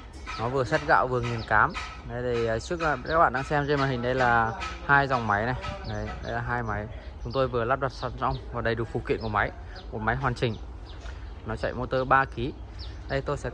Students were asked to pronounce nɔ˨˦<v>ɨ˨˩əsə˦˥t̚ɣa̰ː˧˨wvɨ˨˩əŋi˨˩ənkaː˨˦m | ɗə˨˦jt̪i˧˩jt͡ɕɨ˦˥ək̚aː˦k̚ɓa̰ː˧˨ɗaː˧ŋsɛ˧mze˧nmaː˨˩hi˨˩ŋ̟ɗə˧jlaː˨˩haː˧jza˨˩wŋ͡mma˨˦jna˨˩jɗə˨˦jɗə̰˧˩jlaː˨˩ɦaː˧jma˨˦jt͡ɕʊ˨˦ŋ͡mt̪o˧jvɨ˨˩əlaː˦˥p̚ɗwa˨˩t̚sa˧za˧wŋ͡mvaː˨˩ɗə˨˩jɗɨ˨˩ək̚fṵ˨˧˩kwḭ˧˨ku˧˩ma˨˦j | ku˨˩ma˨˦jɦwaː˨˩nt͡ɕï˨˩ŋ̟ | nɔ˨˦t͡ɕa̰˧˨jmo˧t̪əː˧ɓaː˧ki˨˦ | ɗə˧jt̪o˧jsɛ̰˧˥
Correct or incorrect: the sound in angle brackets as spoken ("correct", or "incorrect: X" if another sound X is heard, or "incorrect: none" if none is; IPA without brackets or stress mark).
correct